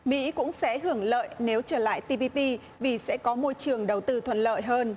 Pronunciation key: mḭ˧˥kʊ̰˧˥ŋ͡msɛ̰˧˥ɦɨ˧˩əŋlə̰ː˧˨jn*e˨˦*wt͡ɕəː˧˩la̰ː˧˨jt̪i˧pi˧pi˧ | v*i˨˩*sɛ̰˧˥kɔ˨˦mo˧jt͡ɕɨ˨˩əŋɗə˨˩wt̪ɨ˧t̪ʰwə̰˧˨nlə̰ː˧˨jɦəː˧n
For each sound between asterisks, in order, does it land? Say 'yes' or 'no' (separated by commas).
yes, yes